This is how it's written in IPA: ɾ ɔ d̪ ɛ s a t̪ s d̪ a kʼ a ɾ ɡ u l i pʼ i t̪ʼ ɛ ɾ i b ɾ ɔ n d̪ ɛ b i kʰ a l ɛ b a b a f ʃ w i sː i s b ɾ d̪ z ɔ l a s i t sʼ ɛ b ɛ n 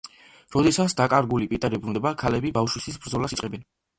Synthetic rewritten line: ɾ ɔ d̪ ɛ s a t̪ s d̪ a kʼ a ɾ ɡ u l i pʼ i t̪ʼ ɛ ɾ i b ɾ u n d̪ ɛ b a kʰ a l ɛ b i b a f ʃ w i s i s b ɾ d̪ z ɔ l a s i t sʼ ɛ b ɛ n